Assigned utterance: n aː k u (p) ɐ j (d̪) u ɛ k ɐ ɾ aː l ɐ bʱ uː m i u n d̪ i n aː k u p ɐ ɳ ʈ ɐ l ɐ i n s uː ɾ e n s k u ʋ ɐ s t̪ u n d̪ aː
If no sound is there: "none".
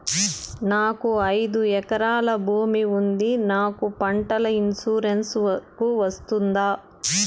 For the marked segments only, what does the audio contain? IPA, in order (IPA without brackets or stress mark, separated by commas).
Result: none, d̪